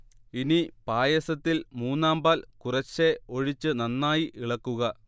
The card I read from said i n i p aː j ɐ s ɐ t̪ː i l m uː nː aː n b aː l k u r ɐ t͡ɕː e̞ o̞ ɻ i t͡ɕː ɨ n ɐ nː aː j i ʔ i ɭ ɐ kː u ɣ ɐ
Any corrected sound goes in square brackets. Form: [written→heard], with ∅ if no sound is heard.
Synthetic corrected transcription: i n i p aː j ɐ s ɐ t̪ː i l m uː nː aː [n→m] b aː l k u r ɐ t͡ɕː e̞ o̞ ɻ i t͡ɕː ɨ n ɐ nː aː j i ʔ i ɭ ɐ kː u ɣ ɐ

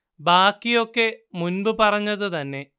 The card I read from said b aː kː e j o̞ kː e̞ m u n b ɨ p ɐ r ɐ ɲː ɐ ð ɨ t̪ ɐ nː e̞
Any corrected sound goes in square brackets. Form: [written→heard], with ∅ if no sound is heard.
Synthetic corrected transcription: b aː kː [e→i] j o̞ kː e̞ m u n b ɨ p ɐ r ɐ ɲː ɐ ð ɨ t̪ ɐ nː e̞

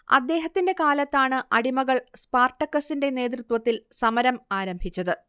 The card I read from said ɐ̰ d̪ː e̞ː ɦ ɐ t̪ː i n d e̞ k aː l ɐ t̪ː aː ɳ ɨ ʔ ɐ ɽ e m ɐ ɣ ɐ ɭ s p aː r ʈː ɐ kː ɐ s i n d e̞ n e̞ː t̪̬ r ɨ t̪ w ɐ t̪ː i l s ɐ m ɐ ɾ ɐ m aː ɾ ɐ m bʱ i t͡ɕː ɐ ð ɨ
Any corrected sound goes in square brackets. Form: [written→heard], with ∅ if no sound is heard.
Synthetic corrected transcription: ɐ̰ d̪ː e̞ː ɦ ɐ t̪ː i n d e̞ k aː l ɐ t̪ː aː ɳ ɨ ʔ ɐ ɽ [e→i] m ɐ ɣ ɐ ɭ s p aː r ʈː ɐ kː ɐ s i n d e̞ n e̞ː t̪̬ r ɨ t̪ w ɐ t̪ː i l s ɐ m ɐ ɾ ɐ m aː ɾ ɐ m bʱ i t͡ɕː ɐ ð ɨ

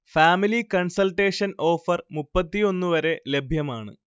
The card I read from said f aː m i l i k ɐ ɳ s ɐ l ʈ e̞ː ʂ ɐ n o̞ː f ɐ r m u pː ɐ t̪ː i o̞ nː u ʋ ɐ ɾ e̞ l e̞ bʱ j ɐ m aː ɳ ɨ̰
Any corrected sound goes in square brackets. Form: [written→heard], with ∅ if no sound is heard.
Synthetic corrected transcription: f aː m i l i k ɐ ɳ s ɐ l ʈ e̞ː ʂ ɐ n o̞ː f ɐ r m u pː ɐ t̪ː i o̞ nː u ʋ ɐ ɾ e̞ l e̞ bʱ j ɐ m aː ɳ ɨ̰

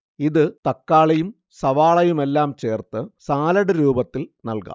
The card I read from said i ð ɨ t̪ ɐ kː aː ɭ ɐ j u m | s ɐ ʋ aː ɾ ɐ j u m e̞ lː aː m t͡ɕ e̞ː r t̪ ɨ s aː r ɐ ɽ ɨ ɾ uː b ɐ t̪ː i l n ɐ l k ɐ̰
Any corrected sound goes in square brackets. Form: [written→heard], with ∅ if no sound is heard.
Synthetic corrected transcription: i ð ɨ t̪ ɐ kː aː ɭ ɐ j u m | s ɐ ʋ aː [ɾ→ɭ] ɐ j u m e̞ lː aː m t͡ɕ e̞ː r t̪ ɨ s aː [r→l] ɐ ɽ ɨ ɾ uː b ɐ t̪ː i l n ɐ l k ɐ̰

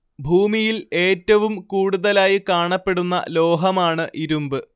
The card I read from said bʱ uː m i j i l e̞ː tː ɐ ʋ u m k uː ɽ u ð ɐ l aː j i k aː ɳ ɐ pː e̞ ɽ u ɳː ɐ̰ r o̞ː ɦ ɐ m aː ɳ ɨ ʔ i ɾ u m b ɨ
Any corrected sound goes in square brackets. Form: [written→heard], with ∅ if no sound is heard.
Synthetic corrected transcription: bʱ uː m i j i l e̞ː tː ɐ ʋ u m k uː ɽ u ð ɐ l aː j i k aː ɳ ɐ pː e̞ ɽ u [ɳː→nː] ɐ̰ [r→l] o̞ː ɦ ɐ m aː ɳ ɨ ʔ i ɾ u m b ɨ

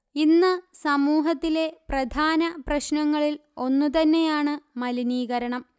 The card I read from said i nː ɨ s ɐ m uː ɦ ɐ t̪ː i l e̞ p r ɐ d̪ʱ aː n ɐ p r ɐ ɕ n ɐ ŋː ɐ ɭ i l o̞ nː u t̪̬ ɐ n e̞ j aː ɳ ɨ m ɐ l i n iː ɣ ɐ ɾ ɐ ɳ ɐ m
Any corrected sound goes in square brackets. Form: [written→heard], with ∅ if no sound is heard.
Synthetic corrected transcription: i nː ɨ s ɐ m uː ɦ ɐ t̪ː i l e̞ p r ɐ d̪ʱ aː n ɐ p r ɐ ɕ n ɐ ŋː ɐ ɭ i l o̞ nː u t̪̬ ɐ [n→nː] e̞ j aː ɳ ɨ m ɐ l i n iː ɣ ɐ ɾ ɐ ɳ ɐ m

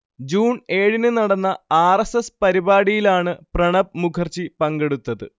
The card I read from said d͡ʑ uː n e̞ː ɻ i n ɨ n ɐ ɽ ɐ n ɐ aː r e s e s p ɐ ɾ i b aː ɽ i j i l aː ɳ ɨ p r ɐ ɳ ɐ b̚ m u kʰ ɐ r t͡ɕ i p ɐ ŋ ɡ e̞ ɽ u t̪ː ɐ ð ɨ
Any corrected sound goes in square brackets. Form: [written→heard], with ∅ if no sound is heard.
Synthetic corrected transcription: d͡ʑ uː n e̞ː ɻ i n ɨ n ɐ ɽ ɐ [n→nː] ɐ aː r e s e s p ɐ ɾ i b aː ɽ i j i l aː ɳ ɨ p r ɐ ɳ ɐ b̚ m u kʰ ɐ r t͡ɕ i p ɐ ŋ ɡ e̞ ɽ u t̪ː ɐ ð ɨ

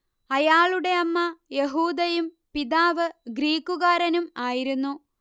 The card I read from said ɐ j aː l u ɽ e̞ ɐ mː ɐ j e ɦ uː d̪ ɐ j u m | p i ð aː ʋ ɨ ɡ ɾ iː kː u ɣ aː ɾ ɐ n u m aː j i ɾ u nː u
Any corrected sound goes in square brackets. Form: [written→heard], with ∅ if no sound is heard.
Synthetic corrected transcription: ɐ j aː [l→ɭ] u ɽ e̞ ɐ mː ɐ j e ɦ uː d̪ ɐ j u m | p i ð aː ʋ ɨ ɡ ɾ iː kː u ɣ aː ɾ ɐ n u m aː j i ɾ u nː u

